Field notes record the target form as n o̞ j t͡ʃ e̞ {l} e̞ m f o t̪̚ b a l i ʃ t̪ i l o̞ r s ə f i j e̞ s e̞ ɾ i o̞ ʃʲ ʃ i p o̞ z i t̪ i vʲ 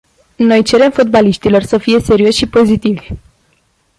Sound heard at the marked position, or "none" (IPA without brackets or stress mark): ɾ